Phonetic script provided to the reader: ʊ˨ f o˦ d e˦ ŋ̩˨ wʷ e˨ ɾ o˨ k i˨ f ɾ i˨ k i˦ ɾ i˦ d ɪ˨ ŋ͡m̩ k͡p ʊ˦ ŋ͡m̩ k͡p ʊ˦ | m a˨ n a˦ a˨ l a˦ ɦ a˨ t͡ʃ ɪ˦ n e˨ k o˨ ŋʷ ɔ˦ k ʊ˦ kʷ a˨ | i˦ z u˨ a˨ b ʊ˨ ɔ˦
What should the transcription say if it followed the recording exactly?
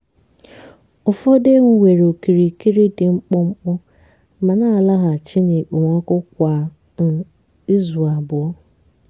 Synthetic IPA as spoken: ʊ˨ f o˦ d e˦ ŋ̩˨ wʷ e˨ ɾ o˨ k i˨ ɾ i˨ k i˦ ɾ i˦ d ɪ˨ ŋ͡m̩ k͡p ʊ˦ ŋ͡m̩ k͡p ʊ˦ | m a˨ n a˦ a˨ l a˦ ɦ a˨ t͡ʃ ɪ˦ n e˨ k͡p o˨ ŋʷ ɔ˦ k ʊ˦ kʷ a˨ | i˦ z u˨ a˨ b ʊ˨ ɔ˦

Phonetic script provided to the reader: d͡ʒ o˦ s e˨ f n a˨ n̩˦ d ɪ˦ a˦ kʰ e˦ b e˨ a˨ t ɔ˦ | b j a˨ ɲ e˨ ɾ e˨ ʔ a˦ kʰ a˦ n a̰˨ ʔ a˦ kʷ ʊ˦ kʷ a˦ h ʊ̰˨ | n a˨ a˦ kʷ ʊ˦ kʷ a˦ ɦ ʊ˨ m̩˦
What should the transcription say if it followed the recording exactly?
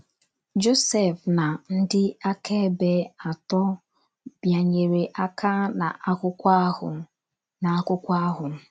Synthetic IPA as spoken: d͡ʒ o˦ s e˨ f n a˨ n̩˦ d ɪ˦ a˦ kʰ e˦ b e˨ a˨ t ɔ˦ | b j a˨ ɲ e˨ ɾ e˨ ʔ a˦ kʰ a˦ n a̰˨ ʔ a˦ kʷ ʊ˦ kʷ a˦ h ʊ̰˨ | n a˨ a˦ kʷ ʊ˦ kʷ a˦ ɦ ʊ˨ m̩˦

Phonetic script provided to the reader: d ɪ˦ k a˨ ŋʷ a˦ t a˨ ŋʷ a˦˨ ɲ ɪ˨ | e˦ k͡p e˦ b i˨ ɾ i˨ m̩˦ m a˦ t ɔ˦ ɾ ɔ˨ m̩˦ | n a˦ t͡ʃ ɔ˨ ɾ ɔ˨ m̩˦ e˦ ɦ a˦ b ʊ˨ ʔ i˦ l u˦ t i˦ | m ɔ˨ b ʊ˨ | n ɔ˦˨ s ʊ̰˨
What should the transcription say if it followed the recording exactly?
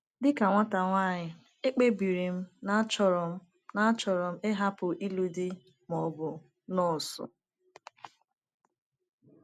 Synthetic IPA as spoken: d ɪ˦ k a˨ ŋʷ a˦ t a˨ ŋʷ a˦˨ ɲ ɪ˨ | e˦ k͡p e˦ b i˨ ɾ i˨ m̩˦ n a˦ t͡ʃ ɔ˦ ɾ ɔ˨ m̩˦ | n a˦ t͡ʃ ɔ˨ ɾ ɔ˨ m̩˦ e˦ ɦ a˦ p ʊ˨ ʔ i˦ l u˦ d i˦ | m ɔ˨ b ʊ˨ | n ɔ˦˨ s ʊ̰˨

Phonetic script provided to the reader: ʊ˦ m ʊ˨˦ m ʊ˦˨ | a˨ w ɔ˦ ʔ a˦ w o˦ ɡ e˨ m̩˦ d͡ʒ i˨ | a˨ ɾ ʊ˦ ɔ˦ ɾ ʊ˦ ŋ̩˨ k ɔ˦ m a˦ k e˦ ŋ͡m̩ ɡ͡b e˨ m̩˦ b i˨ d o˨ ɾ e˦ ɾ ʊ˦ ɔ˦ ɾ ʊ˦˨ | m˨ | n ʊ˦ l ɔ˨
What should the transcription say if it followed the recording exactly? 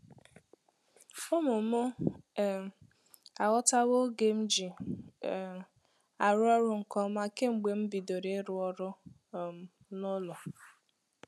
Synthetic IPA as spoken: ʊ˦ m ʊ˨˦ m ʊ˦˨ | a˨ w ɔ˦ t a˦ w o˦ ɡ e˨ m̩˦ d͡ʒ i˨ | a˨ ɾ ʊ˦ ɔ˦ ɾ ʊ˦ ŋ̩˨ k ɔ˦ m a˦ k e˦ ŋ͡m̩ ɡ͡b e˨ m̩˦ b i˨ d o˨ ɾ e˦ ɾ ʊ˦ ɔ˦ ɾ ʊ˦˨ | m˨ | n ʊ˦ l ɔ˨

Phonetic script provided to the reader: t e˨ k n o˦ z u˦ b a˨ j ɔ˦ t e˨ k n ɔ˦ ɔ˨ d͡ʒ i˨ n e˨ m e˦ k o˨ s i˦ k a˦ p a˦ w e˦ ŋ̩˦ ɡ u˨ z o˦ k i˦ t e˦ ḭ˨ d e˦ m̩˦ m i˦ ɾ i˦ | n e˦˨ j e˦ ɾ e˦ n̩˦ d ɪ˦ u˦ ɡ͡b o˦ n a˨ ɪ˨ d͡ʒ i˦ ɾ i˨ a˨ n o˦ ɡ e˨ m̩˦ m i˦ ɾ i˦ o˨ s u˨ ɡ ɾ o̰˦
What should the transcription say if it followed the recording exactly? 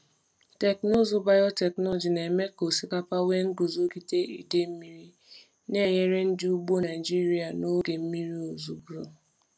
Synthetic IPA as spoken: t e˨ k n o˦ z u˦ b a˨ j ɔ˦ t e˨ k n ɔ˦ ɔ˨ d͡ʒ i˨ n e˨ m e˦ k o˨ s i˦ k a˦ p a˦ w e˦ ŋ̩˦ ɡ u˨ z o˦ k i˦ t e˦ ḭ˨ d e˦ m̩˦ m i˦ ɾ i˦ | n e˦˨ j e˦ ɾ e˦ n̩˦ d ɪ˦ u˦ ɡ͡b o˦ n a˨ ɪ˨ d͡ʒ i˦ ɾ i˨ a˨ n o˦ ɡ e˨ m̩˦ m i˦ ɾ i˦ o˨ z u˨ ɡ ɾ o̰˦

